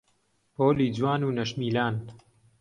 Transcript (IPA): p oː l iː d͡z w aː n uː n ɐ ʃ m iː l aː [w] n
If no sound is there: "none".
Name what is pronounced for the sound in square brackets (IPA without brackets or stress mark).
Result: none